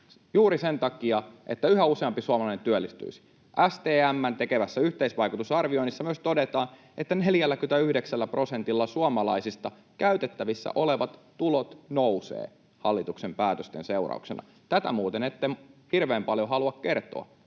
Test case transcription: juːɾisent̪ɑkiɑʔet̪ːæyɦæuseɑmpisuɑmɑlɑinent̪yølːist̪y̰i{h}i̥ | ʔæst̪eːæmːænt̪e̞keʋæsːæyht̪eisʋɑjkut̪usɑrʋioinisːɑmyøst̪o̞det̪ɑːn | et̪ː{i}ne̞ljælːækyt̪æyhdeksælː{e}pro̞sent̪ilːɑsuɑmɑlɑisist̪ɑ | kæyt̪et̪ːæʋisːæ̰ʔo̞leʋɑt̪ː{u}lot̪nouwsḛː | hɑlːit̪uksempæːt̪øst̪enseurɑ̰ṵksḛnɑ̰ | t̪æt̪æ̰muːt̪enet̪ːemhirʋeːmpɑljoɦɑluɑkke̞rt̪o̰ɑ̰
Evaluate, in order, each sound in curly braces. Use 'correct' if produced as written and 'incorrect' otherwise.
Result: incorrect, incorrect, incorrect, correct

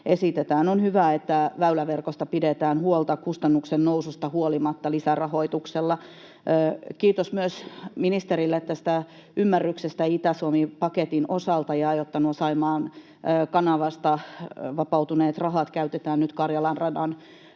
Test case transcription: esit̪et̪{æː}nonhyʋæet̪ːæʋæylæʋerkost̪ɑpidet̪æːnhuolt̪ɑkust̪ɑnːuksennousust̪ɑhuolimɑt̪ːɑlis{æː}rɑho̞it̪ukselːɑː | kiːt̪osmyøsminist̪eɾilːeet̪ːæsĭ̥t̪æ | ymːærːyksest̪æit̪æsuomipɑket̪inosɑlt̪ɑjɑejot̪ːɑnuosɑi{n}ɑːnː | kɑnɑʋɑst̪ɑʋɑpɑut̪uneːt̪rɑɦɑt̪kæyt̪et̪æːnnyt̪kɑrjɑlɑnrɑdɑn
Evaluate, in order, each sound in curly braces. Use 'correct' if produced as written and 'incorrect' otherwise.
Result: correct, incorrect, incorrect

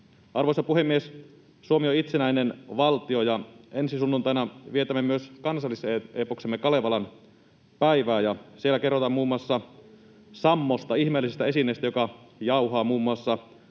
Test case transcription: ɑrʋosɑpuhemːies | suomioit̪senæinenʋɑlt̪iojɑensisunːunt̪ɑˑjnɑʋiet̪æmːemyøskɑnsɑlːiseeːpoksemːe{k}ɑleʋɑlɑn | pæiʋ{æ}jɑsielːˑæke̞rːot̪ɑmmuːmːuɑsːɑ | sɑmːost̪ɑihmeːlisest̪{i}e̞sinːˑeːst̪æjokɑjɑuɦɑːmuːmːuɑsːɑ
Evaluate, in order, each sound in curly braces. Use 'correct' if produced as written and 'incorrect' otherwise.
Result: correct, incorrect, incorrect

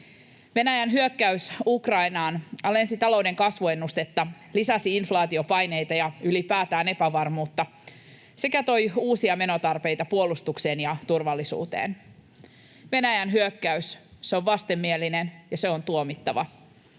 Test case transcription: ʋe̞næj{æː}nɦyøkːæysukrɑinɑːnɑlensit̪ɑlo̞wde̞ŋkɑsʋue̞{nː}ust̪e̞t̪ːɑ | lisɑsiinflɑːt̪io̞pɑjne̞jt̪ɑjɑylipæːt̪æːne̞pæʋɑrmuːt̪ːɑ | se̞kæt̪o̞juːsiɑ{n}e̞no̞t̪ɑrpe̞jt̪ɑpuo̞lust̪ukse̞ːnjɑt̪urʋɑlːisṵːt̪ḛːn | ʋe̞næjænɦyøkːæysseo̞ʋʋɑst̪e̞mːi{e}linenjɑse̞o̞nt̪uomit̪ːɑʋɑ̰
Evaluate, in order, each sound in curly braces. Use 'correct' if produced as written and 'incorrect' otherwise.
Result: incorrect, correct, incorrect, correct

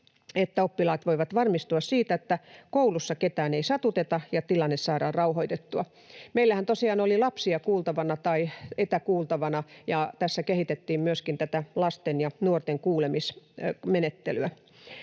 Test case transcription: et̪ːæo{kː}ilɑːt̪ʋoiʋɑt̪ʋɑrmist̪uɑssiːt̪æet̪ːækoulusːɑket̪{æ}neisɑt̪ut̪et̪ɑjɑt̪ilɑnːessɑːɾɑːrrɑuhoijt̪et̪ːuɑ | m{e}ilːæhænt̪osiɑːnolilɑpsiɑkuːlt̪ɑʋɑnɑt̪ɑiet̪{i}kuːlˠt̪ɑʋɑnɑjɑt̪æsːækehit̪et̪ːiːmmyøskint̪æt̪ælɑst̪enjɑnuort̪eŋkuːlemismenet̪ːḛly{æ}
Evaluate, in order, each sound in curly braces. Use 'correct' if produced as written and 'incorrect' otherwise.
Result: incorrect, incorrect, correct, incorrect, correct

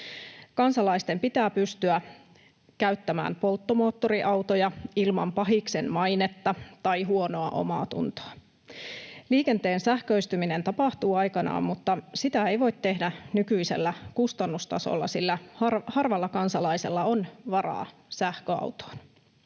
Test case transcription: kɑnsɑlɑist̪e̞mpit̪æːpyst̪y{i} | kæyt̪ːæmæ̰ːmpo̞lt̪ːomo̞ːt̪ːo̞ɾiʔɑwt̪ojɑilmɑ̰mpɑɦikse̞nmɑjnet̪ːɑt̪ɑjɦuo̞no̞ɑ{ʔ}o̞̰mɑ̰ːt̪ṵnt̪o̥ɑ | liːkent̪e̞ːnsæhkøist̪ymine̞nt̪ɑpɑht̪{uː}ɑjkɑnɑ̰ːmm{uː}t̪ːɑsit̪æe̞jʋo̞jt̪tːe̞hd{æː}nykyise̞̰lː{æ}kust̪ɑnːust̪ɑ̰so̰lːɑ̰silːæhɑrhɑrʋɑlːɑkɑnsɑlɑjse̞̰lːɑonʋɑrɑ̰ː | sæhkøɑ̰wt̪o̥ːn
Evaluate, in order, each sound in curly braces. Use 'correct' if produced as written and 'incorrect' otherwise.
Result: incorrect, correct, correct, incorrect, incorrect, correct

